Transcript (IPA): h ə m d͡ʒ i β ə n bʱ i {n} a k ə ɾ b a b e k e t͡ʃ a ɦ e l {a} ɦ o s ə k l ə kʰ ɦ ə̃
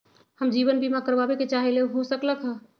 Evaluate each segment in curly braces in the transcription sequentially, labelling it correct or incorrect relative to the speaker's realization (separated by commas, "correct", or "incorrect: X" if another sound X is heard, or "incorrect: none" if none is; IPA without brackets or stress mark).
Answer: incorrect: m, incorrect: e